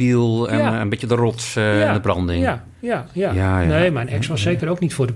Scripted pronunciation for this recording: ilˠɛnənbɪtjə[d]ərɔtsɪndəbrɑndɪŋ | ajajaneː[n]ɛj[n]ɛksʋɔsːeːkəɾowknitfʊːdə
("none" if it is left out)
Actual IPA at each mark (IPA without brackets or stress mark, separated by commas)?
d, m, n